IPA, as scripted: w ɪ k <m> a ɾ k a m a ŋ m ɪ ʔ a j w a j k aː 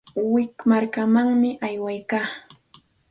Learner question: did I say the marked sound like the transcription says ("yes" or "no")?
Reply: yes